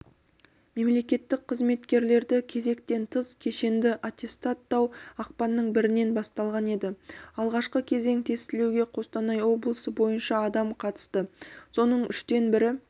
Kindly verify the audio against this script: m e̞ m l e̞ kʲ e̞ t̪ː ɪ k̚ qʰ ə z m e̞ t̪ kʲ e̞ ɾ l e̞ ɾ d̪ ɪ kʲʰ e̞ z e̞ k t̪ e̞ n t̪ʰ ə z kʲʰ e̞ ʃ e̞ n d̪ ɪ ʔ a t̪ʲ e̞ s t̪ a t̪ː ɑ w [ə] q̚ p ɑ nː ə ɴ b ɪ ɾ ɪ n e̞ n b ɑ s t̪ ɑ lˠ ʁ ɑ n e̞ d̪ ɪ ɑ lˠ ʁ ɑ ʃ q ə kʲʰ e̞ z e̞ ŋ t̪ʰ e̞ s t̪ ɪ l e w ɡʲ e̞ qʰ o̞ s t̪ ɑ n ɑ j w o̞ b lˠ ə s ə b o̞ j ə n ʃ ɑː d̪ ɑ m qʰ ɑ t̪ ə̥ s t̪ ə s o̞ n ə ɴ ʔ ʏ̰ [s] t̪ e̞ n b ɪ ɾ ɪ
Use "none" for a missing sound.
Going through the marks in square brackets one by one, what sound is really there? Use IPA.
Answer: ɑ, ʃ

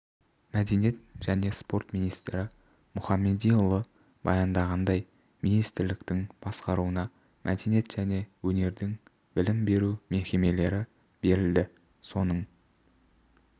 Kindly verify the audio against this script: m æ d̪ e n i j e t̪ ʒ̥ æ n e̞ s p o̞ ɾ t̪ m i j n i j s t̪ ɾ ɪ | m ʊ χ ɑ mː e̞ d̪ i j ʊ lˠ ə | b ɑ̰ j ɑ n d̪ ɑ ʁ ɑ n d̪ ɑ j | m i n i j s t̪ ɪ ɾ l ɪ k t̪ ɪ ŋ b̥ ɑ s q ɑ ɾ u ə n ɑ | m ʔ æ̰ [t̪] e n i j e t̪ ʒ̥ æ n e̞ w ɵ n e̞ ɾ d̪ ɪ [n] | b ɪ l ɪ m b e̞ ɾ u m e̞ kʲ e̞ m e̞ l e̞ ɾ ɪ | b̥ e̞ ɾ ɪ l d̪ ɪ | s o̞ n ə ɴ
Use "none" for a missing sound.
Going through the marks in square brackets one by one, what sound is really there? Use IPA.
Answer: d̪, ŋ

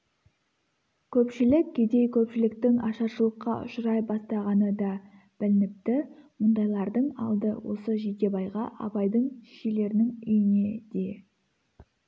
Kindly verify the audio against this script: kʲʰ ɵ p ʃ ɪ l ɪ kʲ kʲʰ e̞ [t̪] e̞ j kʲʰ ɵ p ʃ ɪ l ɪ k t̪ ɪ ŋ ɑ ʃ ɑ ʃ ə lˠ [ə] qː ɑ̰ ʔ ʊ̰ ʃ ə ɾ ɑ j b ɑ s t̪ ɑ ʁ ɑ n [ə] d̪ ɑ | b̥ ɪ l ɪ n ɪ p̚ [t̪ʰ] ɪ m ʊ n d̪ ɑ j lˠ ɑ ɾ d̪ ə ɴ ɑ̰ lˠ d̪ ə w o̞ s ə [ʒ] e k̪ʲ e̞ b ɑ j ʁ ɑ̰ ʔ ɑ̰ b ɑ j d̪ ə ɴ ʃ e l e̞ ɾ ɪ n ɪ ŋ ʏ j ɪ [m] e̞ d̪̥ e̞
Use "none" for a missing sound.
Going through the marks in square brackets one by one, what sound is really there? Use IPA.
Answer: d̪, ə, ə, t̪, ʒ, n

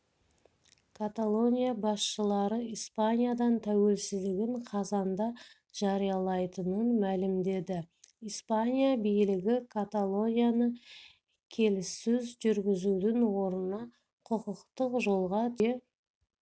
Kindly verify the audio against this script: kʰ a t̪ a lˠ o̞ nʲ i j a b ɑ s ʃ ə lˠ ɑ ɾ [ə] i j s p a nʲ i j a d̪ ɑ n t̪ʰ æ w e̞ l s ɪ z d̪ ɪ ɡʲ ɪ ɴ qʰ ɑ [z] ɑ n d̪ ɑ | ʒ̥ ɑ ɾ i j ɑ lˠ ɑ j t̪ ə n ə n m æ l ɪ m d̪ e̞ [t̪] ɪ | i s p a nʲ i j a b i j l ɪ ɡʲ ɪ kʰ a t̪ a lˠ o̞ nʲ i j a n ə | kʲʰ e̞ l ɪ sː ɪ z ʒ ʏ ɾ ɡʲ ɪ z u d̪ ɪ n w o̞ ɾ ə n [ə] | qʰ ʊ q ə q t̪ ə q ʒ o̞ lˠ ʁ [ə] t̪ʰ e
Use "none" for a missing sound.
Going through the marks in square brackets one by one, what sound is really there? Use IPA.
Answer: ə, z, d̪, ɑ, ɑ

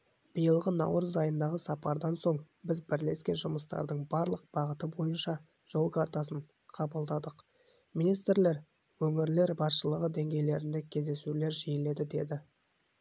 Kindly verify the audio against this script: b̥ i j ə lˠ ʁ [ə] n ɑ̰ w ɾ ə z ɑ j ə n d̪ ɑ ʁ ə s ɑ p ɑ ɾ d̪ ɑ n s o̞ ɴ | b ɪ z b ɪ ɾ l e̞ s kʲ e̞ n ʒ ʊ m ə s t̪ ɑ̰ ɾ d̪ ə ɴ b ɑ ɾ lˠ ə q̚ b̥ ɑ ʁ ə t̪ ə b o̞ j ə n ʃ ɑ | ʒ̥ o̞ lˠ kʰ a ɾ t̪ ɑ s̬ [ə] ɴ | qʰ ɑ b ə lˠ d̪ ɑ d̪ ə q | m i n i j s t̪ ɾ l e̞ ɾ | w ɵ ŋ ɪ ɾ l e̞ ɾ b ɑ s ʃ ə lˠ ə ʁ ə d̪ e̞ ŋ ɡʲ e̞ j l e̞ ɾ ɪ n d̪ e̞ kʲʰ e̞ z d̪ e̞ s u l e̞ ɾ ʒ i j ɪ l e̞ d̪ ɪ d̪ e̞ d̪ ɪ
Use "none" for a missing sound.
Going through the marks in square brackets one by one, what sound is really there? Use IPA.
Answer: ə, ə

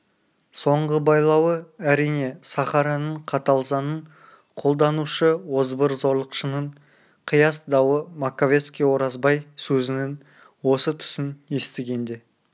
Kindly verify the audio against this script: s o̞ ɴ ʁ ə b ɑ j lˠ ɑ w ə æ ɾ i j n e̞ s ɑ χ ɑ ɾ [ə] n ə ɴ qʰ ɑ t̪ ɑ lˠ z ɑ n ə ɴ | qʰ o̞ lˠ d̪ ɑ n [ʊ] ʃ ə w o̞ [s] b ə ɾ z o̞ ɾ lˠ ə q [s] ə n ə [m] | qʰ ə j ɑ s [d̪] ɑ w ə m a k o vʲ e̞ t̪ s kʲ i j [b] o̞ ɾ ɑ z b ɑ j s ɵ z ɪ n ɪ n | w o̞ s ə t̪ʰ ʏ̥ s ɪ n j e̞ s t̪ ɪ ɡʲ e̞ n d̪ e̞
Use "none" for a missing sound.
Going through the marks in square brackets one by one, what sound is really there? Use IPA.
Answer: ɑ, u, z, ʃ, ɴ, d̪, w

